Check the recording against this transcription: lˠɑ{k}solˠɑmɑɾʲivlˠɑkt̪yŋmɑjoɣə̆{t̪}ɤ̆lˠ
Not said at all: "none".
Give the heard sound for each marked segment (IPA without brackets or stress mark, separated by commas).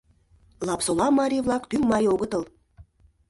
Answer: p, t̪